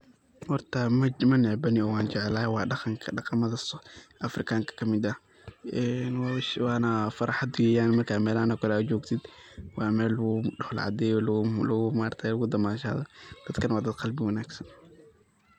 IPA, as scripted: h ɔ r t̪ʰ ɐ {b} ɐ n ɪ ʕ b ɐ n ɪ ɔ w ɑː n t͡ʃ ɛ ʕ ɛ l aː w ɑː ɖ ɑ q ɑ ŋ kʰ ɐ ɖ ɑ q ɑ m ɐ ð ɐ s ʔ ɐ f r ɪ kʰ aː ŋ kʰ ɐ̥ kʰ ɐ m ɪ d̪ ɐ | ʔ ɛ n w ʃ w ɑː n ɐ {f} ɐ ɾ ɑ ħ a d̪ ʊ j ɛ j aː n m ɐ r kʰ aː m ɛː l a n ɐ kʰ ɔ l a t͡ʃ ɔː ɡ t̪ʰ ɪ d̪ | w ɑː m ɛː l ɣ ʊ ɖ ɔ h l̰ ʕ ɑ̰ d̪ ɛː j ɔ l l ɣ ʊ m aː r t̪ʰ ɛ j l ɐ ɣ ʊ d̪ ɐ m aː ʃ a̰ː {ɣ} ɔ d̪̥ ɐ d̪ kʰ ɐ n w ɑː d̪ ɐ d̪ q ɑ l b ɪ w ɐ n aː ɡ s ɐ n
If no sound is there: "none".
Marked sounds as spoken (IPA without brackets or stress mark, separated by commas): m, f, ð